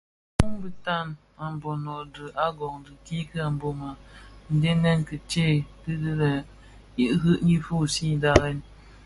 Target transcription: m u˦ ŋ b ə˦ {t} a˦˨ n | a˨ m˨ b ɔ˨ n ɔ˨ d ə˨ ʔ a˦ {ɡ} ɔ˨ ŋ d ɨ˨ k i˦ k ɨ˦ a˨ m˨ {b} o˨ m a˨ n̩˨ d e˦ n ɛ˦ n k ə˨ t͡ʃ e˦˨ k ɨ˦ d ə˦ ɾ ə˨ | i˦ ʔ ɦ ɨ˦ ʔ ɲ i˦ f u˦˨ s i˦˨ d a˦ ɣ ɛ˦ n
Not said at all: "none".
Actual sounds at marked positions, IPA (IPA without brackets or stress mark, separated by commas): t, ɡ, b